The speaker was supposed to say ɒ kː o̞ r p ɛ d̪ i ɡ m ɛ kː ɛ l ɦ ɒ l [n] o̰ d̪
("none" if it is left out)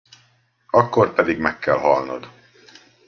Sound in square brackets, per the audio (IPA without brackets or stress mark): n